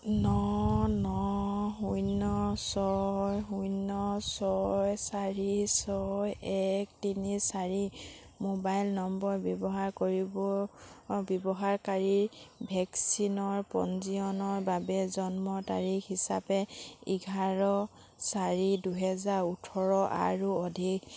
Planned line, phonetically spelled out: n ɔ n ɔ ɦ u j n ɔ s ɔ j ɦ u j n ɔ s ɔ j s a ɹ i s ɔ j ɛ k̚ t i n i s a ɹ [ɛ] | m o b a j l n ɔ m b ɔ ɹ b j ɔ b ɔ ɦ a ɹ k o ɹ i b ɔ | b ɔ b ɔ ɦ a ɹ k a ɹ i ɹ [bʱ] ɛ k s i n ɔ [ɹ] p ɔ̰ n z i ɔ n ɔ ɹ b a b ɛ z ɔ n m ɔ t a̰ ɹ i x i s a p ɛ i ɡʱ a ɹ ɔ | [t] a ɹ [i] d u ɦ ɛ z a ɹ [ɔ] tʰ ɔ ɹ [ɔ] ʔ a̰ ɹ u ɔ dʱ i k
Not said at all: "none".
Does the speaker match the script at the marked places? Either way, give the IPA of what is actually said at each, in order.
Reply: i, bʱ, ɹ, s, i, u, ɔ

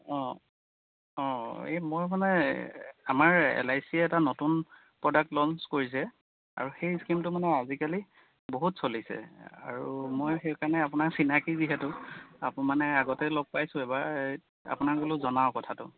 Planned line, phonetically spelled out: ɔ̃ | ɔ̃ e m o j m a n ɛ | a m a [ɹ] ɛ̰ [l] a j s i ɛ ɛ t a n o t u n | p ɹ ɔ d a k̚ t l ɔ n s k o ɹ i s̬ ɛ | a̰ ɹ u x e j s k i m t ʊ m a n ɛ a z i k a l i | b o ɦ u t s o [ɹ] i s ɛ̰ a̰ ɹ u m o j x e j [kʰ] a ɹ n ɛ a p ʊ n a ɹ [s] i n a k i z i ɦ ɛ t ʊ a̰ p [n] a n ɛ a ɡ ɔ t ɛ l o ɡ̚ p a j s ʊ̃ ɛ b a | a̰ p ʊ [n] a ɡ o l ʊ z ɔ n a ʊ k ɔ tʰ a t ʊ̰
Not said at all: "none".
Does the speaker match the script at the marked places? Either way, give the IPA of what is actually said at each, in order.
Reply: ɹ, l, l, k, s, m, n

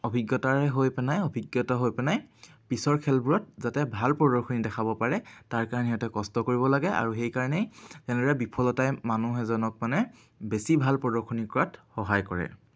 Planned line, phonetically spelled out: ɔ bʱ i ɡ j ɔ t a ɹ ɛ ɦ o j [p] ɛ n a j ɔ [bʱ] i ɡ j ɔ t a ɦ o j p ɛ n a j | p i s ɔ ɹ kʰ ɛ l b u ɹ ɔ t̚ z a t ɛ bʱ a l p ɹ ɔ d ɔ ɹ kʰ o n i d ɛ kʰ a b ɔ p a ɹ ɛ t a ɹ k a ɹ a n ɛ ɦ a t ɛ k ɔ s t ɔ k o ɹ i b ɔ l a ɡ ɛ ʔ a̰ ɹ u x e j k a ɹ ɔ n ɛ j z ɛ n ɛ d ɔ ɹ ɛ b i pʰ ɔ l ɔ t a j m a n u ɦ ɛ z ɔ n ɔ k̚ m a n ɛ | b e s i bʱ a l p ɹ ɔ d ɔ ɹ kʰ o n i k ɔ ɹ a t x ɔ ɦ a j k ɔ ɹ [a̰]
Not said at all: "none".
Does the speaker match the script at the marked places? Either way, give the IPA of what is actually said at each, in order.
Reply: p, bʱ, ɛ̰

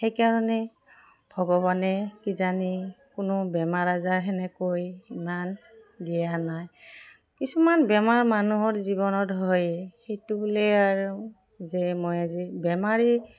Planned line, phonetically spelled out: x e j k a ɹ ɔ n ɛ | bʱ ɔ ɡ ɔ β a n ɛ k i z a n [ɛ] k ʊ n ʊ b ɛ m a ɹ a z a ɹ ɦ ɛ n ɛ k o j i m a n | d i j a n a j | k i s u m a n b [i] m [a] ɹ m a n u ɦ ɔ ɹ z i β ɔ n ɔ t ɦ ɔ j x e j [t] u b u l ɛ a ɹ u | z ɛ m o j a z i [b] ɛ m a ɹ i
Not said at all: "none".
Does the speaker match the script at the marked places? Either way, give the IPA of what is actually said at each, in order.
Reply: i, ɛ, a, t, b

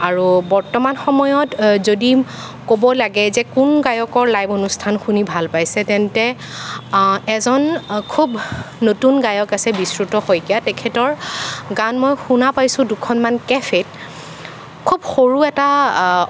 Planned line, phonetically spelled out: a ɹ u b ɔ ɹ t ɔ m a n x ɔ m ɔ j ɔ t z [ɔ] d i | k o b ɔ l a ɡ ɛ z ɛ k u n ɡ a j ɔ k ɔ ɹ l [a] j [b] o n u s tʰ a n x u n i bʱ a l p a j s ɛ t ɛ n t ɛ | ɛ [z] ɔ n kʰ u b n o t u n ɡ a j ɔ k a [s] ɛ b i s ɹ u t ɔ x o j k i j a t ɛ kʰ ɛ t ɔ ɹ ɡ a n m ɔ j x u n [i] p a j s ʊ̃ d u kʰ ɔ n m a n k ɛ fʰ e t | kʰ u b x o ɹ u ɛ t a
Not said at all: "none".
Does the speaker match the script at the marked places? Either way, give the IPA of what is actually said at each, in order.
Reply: o, a, b, z, s, a

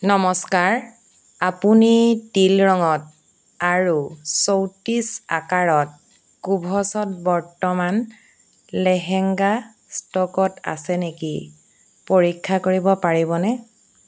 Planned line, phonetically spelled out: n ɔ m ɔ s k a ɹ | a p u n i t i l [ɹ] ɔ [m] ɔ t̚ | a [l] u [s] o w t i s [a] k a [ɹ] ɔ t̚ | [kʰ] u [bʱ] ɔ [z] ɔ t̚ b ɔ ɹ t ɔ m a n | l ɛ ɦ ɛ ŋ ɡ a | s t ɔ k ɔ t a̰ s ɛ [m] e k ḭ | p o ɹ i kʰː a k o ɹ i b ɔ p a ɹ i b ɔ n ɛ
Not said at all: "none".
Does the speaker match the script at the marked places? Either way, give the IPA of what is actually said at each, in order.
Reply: ɹ, ŋ, ɹ, s, a, ɹ, k, bʱ, s, n

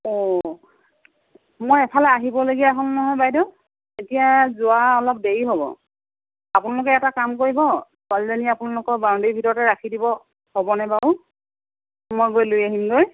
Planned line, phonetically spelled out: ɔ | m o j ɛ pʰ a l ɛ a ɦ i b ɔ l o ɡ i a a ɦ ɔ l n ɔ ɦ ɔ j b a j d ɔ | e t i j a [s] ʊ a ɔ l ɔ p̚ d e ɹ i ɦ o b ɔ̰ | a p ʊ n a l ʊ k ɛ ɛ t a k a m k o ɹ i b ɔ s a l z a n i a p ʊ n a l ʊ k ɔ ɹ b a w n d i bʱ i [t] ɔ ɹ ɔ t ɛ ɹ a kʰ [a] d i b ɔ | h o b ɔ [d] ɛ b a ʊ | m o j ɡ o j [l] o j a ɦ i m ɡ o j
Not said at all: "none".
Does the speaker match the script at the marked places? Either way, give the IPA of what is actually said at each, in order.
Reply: z, t, i, n, l

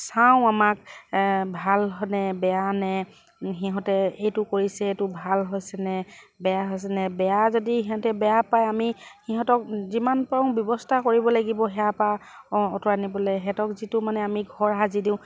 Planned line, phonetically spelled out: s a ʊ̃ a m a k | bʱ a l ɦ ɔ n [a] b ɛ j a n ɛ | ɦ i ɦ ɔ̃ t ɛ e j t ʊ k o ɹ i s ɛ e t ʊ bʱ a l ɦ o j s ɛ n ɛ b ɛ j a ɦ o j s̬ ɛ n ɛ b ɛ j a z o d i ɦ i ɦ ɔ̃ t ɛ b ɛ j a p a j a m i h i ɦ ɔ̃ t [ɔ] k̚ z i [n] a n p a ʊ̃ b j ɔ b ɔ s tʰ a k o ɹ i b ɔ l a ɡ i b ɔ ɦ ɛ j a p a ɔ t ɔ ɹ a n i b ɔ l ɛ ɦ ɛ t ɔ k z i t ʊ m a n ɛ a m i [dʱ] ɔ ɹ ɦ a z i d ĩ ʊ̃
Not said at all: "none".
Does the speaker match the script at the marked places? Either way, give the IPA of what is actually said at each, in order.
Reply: ɛ, ɔ, m, ɡʱ

